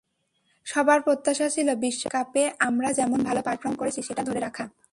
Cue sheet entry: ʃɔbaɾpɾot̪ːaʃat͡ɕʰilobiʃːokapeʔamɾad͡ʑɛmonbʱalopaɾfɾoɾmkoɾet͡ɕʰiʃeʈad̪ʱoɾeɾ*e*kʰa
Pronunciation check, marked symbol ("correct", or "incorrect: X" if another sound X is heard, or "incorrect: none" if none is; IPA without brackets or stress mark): incorrect: a